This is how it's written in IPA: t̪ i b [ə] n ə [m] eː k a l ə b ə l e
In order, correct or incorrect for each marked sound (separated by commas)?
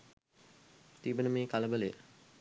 correct, correct